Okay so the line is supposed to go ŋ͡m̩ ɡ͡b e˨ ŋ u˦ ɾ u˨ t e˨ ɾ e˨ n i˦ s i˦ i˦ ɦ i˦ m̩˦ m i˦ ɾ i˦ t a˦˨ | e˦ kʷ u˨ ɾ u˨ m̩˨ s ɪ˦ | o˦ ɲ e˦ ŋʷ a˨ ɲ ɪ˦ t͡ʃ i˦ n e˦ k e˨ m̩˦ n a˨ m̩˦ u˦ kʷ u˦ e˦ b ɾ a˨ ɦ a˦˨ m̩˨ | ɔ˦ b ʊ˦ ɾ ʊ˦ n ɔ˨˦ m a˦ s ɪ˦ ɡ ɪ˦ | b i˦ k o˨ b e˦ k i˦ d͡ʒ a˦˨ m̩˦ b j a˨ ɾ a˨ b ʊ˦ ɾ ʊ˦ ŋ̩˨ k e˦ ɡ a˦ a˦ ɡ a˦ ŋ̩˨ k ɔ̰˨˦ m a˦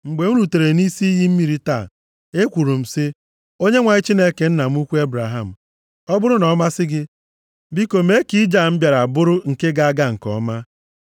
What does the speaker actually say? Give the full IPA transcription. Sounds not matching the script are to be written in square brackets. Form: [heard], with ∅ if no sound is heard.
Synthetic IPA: ŋ͡m̩ ɡ͡b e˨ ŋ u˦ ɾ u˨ t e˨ ɾ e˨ n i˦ s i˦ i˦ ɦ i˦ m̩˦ m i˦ ɾ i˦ t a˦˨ | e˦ kʷ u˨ ɾ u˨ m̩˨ s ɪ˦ | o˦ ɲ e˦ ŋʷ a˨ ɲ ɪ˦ t͡ʃ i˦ n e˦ k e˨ [n̩˦] n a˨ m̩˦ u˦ kʷ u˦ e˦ b ɾ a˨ ɦ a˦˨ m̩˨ | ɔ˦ b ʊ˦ ɾ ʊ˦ n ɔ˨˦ m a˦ s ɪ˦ ɡ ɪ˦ | b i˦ k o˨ [m] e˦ k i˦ d͡ʒ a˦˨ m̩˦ b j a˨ ɾ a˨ b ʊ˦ ɾ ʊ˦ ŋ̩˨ k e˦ ɡ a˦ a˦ ɡ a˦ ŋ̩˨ k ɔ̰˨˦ m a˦

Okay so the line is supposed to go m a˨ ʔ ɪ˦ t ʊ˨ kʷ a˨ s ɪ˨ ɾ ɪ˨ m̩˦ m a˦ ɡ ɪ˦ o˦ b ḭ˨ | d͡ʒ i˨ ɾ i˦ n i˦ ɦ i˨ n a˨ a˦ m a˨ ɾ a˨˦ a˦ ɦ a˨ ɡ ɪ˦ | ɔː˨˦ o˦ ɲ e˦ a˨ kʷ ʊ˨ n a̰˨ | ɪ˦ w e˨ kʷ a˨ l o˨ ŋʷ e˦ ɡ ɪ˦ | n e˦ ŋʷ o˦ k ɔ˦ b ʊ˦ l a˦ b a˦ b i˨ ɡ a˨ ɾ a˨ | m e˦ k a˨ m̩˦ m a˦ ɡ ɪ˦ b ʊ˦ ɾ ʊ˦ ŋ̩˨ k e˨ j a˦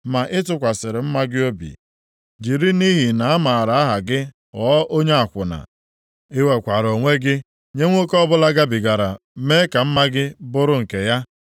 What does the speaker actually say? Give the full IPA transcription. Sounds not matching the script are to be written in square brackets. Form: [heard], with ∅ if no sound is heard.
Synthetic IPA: m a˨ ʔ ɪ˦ t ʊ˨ kʷ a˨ s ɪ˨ ɾ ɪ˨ m̩˦ m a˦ ɡ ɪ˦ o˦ b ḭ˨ | d͡ʒ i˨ ɾ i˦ n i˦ ɦ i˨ n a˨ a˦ m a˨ ɾ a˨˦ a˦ ɦ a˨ ɡ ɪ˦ | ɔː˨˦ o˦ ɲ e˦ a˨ kʷ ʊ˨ n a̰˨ | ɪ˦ w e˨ kʷ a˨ [ɾ] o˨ ŋʷ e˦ ɡ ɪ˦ | [ɲ] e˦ ŋʷ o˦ k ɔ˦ b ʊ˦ l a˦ [ɡ] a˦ b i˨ ɡ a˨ ɾ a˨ | m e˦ k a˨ m̩˦ m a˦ ɡ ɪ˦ b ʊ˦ ɾ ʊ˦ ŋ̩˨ k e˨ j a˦

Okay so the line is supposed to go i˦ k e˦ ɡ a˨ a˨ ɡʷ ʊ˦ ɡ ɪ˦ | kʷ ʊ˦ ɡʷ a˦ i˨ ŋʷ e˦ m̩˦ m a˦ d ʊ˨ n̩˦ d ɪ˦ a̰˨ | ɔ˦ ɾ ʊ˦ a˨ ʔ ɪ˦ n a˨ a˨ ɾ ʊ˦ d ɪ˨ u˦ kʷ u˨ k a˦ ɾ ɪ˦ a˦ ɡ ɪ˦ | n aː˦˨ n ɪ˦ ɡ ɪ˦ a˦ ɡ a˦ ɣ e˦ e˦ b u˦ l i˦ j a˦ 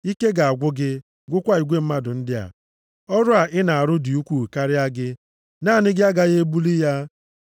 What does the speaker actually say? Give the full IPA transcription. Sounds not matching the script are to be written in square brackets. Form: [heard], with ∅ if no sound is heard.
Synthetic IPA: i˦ k e˦ ɡ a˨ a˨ ɡʷ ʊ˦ ɡ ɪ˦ | [ɡʷ] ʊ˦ [kʷ] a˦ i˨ [ɡʷ] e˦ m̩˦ m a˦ d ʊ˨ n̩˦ d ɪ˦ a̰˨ | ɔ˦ ɾ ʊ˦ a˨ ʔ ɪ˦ n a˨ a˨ ɾ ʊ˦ d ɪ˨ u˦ kʷ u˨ k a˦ ɾ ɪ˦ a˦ ɡ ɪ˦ | n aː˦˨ n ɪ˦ ɡ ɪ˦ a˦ ɡ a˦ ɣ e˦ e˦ b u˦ l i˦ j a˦

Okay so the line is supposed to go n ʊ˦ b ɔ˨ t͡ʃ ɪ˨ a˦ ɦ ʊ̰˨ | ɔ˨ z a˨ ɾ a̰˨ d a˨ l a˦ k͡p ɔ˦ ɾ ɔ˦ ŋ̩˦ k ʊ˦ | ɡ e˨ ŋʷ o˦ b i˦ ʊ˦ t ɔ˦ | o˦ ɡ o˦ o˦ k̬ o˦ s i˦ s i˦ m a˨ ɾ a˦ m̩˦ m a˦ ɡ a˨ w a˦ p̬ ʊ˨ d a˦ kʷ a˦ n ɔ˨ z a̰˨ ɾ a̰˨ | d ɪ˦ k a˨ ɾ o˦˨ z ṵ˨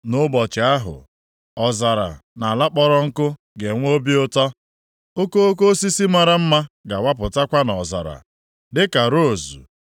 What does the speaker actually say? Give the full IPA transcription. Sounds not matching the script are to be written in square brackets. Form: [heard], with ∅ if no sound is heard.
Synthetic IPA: n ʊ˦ b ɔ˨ t͡ʃ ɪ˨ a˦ ɦ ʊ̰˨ | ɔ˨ z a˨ ɾ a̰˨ [n] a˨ l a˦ k͡p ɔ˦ ɾ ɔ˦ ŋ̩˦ k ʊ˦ | ɡ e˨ ŋʷ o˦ b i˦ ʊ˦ t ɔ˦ | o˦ [k] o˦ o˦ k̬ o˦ s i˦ s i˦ m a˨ ɾ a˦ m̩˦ m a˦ ɡ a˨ w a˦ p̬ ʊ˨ [t] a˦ kʷ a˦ n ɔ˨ z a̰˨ ɾ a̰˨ | d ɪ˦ k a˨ ɾ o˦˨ z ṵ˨

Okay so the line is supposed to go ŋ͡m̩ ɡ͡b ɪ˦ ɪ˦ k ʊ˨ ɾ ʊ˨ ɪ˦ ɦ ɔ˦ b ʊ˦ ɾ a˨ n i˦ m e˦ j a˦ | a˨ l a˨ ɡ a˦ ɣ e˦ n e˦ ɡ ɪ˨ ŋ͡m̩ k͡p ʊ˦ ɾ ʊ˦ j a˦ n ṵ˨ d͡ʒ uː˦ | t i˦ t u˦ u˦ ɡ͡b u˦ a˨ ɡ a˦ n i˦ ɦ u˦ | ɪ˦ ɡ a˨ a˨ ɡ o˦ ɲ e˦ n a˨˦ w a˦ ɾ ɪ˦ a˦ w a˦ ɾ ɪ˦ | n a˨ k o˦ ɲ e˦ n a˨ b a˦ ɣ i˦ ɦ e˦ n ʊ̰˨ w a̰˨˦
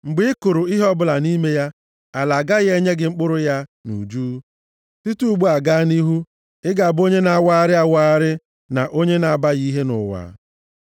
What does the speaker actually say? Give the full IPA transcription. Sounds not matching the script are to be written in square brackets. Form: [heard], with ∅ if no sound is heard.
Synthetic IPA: ŋ͡m̩ ɡ͡b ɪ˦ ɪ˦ k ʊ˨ ɾ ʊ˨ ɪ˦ ɦ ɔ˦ b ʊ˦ [l] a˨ n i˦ m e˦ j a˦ | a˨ l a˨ ɡ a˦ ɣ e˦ [ɲ] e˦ ɡ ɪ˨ ŋ͡m̩ k͡p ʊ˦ ɾ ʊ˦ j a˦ n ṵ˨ d͡ʒ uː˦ | t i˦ t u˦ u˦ ɡ͡b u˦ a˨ ɡ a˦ n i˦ ɦ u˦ | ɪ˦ ɡ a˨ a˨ [b] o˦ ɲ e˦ n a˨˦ w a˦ ɾ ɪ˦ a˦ w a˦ ɾ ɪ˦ | n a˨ [ʔ] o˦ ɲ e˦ n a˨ b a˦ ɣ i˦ ɦ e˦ n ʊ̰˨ w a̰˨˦

